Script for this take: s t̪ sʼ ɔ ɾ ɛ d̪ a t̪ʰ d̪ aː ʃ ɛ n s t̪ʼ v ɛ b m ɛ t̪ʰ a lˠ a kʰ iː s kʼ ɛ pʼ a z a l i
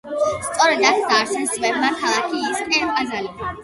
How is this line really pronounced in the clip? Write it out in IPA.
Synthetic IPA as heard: s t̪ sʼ ɔ ɾ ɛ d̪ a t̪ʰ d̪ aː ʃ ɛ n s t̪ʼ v ɛ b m a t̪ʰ a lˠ a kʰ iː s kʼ ɛ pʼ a z a l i

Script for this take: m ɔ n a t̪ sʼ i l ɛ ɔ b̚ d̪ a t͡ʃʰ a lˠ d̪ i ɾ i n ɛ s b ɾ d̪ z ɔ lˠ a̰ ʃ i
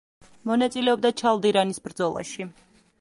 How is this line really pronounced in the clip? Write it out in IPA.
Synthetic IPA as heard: m ɔ n a t̪ sʼ i l ɛ ɔ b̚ d̪ a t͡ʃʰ a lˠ d̪ i ɾ a n i s b ɾ d̪ z ɔ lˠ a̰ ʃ i

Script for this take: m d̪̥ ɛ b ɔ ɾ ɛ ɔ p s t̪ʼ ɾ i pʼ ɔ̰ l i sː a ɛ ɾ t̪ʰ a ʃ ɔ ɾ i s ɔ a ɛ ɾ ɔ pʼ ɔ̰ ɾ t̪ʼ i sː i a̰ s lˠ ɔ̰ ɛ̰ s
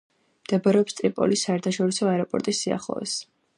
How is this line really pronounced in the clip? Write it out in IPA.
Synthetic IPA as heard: m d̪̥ ɛ b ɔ ɾ ɛ ɔ p s t̪ʼ ɾ i pʼ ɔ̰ l i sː a ɛ ɾ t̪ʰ a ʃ ɔ ɾ i s ɔ a ɛ ɾ ɔ pʼ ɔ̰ ɾ t̪ʼ i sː i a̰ χ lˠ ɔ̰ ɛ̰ s

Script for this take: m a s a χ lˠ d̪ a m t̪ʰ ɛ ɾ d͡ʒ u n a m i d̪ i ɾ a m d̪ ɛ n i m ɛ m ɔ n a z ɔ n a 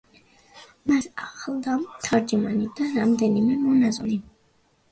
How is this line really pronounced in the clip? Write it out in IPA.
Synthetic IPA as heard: m a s a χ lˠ d̪ a m t̪ʰ a ɾ d͡ʒ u m a n i d̪ a ɾ a m d̪ ɛ n i m ɛ m ɔ n a z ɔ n i

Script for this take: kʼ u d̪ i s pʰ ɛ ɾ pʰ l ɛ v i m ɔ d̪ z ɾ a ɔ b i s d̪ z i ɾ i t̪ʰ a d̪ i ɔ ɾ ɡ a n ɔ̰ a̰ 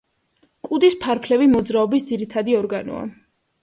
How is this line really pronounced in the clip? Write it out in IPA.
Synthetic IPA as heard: kʼ u d̪ i s pʰ a ɾ pʰ l ɛ v i m ɔ d̪ z ɾ a ɔ b i s d̪ z i ɾ i t̪ʰ a d̪ i ɔ ɾ ɡ a n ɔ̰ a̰

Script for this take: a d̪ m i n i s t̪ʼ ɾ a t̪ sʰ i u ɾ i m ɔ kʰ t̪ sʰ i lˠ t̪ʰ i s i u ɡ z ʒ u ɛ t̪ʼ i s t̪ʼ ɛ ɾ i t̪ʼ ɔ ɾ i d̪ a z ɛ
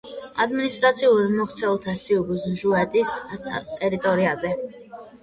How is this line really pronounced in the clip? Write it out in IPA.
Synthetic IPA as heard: a d̪ m i n i s t̪ʼ ɾ a t̪ sʰ i u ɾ i m ɔ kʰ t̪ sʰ ɛ lˠ t̪ʰ a s i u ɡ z ʒ u ɛ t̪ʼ i s t̪ʼ ɛ ɾ i t̪ʼ ɔ ɾ i a z ɛ

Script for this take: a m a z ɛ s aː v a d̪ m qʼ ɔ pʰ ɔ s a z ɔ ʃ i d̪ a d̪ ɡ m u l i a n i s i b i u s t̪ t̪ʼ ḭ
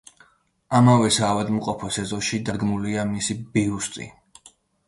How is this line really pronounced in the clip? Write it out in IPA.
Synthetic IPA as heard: a m a v ɛ s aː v a d̪ m qʼ ɔ pʰ ɔ s ɛ z ɔ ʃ i d̪ a d̪ ɡ m u l i a m i s i b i u s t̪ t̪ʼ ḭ

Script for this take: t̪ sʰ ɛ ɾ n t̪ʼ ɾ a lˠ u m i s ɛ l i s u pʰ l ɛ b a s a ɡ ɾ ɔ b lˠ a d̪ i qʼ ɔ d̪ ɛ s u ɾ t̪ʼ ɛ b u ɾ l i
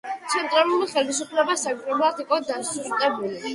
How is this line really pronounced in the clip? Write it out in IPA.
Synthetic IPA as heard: t̪ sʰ ɛ n t̪ʼ ɾ a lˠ u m i χ ɛ l i s u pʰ l ɛ b a s a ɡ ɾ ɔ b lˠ a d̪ i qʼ ɔ d̪ a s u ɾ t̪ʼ ɛ b u l i

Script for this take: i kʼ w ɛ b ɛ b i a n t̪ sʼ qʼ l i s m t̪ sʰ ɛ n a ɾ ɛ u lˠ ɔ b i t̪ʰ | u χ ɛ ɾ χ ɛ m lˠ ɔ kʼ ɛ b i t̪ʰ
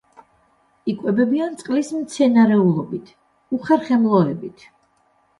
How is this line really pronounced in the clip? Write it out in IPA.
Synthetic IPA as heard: i kʼ w ɛ b ɛ b i a n t̪ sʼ qʼ l i s m t̪ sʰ ɛ n a ɾ ɛ u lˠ ɔ b i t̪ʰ | u χ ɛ ɾ χ ɛ m lˠ ɔ ɛ b i t̪ʰ

